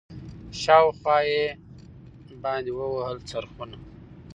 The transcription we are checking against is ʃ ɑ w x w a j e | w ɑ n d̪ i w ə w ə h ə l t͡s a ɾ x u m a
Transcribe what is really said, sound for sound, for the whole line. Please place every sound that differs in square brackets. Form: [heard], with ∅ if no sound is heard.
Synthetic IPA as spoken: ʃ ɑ w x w [ɑ] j e | [b] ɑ n d̪ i w ə w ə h ə l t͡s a ɾ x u [n] a

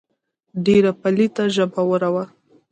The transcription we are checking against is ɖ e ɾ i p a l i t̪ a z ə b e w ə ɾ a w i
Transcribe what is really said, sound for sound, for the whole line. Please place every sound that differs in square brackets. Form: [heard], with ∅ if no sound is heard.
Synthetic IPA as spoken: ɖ e ɾ [a] p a l i t̪ a [ʒ] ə b [a] w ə ɾ a w [a]

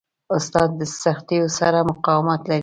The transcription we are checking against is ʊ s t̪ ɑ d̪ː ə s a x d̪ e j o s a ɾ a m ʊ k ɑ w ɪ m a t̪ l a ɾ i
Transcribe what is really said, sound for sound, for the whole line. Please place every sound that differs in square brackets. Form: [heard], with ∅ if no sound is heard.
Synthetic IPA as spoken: ʊ s t̪ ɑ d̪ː ə s a x [t̪] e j o s a ɾ a m ʊ [q] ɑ w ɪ m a t̪ l a ɾ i

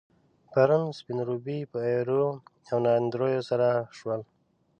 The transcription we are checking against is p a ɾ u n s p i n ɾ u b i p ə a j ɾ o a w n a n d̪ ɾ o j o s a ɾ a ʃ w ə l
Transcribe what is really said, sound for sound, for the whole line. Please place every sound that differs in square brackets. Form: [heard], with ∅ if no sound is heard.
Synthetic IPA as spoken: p a ɾ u n s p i n ɾ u b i p ə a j ɾ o a w n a n d̪ ɾ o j o s a ɾ a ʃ w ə l

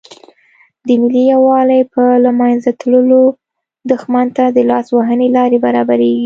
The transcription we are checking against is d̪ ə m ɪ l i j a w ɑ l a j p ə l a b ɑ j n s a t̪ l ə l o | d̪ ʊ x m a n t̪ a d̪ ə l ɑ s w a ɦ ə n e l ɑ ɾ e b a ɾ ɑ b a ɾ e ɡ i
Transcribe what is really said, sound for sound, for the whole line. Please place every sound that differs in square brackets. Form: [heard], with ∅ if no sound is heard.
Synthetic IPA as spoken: d̪ ə m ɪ l i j a w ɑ l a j p ə l a [m] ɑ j n [z] a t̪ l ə l o | d̪ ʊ x m a n t̪ a d̪ ə l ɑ s w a ɦ ə n e l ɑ ɾ e b a ɾ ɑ b a ɾ e ɡ i

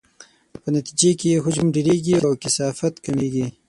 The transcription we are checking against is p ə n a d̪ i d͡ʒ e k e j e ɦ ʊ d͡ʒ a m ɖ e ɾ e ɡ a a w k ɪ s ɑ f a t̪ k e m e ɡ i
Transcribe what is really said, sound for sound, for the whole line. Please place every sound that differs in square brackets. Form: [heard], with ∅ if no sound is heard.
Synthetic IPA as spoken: p ə n a [t̪] i d͡ʒ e k e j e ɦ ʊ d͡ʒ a m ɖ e ɾ e ɡ [i] a w k ɪ s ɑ f a t̪ k [a] m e ɡ i

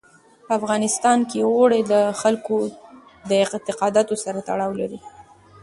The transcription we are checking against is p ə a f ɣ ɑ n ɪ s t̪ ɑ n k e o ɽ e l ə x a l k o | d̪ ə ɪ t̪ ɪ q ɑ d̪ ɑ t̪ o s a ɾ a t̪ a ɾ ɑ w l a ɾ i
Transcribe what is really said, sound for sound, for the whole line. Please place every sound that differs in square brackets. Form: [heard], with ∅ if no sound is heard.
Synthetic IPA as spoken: p ə a f ɣ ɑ n ɪ s t̪ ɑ n k e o ɽ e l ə x a l k o | d̪ ə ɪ t̪ ɪ q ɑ d̪ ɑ t̪ o s a ɾ a t̪ a [ɽ] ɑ w l a ɾ i

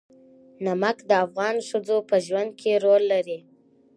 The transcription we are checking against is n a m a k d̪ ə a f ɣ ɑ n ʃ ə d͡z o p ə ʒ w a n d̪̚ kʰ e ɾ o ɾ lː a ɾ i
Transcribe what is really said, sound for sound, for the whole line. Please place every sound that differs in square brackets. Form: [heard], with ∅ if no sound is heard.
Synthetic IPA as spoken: n a m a k d̪ ə a f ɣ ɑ n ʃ ə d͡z o p ə ʒ w a n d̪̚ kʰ e ɾ o [∅] lː a ɾ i

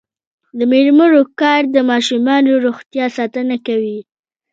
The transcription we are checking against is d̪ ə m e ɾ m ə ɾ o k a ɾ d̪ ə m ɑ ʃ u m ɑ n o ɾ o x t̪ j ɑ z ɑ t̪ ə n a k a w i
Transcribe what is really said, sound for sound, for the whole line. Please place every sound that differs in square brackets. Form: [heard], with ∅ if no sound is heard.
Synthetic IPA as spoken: d̪ ə m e ɾ m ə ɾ o k [ɑ] ɾ d̪ ə m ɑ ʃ u m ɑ n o ɾ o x t̪ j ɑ [s] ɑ t̪ ə n a k a w i

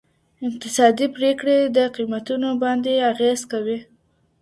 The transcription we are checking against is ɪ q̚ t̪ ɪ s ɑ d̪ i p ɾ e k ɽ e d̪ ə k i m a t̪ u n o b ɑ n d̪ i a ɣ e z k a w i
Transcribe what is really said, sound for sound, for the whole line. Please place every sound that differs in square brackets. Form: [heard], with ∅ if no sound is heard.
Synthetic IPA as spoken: ɪ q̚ t̪ ɪ s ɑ d̪ i p ɾ e k ɽ e d̪ ə [q] i m a t̪ u n o b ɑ n d̪ [e] a ɣ e z k a w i

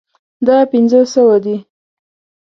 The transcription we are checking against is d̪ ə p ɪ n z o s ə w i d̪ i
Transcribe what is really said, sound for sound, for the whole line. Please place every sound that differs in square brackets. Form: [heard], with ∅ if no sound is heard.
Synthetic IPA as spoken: d̪ [ɑ] p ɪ n z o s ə w [a] d̪ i

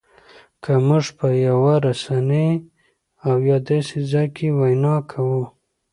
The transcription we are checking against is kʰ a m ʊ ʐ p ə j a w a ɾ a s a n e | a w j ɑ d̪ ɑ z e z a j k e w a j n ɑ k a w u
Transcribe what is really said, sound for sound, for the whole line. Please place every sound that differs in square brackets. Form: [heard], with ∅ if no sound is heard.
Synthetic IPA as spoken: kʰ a m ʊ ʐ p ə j a w a ɾ a s a n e | a w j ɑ d̪ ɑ [s] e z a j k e w a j n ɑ [kʰ] a w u

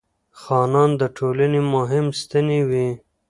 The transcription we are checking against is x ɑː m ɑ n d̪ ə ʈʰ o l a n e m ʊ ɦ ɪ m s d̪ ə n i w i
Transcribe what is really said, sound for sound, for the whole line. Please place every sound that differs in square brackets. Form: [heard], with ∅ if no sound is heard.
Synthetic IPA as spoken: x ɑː [n] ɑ n d̪ ə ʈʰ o l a n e m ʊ ɦ ɪ m s [t̪] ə n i w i

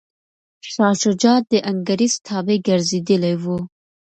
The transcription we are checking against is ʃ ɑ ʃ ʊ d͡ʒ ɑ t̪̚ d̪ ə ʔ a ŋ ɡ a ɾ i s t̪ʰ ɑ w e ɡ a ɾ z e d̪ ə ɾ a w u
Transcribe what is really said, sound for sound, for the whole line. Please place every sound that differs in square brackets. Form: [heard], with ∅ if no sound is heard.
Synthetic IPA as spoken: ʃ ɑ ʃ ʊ d͡ʒ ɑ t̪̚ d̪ ə ʔ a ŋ ɡ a ɾ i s t̪ʰ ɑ [b] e ɡ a ɾ z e d̪ ə [l] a w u

